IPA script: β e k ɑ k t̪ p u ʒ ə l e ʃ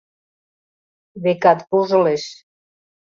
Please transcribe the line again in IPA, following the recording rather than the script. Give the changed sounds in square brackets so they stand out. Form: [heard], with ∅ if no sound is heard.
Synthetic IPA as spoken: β e k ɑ [∅] t̪ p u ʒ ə l e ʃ